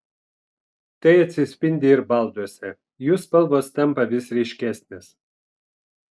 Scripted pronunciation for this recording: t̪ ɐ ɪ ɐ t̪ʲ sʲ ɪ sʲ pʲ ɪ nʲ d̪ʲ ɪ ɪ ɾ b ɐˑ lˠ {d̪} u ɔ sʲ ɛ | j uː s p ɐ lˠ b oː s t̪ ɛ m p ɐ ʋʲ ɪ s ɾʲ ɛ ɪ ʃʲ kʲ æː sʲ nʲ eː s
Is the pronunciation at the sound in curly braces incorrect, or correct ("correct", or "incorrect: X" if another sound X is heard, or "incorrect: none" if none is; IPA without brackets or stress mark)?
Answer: correct